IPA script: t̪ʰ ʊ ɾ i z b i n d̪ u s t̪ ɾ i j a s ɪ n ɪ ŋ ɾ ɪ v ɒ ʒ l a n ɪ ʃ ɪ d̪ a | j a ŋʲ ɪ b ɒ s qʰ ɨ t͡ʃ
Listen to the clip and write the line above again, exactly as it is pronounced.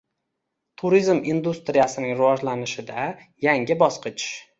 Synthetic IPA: t̪ʰ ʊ ɾ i z m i n d̪ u s t̪ ɾ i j a s ɪ n ɪ ŋ ɾ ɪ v ɒ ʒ l a n ɪ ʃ ɪ d̪ a | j a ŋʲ ɪ b ɒ s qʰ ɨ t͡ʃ